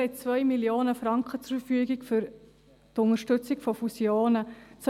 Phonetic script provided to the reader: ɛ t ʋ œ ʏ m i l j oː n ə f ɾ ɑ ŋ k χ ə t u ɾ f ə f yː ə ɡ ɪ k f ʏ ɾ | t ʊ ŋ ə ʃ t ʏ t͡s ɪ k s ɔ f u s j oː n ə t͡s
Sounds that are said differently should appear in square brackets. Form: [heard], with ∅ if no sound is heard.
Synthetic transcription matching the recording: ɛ [t͡s] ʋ œ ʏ m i l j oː n ə f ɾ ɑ ŋ k χ ə [t͡s] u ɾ f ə f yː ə ɡ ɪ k f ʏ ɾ | t ʊ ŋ ə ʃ t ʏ t͡s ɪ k [f] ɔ f u s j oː n ə t͡s